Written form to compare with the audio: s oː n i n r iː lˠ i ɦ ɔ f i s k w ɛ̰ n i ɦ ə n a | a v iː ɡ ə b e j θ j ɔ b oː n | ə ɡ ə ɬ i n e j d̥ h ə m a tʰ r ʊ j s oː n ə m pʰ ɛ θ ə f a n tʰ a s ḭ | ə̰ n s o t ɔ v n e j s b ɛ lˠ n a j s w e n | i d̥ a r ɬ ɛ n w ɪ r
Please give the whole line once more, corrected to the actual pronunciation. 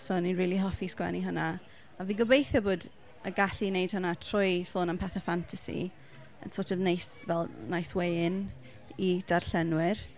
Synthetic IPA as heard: s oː n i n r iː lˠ i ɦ ɔ f i s k w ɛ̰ n i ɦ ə n a | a v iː ɡ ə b e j θ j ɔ b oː d | ə ɡ a ɬ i n e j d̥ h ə n a tʰ r ʊ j s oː n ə m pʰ ɛ θ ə f a n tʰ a s ḭ | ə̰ n s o t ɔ v n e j s v ɛ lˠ n a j s w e n | i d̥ a r ɬ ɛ n w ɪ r